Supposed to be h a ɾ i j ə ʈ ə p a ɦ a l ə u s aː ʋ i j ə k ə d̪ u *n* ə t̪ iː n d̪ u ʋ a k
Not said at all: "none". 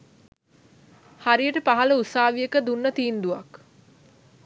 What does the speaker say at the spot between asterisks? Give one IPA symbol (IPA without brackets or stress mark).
nː